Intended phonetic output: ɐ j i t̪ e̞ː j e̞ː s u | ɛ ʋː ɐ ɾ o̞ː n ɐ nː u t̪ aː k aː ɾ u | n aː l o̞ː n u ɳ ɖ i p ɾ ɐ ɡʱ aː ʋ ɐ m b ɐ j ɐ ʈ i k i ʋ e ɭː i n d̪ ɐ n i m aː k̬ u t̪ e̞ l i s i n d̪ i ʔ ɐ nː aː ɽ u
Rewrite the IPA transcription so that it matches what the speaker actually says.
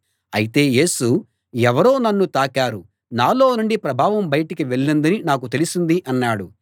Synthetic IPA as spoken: ɐ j i t̪ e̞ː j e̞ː s u | ɛ ʋ ɐ ɾ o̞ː n ɐ nː u t̪ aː k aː ɾ u | n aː l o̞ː n u ɳ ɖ i p ɾ ɐ bʱ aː ʋ ɐ m b ɐ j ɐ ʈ i k i ʋ e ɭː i n d̪ ɐ n i n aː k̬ u t̪ e̞ l i s i n d̪ i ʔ ɐ nː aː ɽ u